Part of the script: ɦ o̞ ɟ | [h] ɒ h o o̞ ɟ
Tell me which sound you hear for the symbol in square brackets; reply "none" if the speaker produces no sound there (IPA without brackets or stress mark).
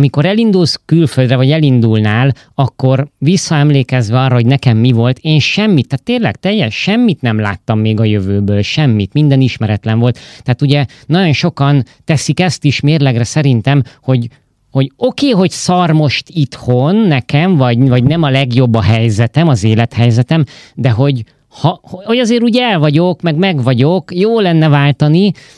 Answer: h